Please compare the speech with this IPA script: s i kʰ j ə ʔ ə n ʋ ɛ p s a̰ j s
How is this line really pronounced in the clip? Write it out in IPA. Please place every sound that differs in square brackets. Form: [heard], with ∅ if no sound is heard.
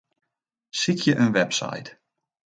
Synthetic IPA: s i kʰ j ə ʔ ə n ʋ ɛ p s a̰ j [t]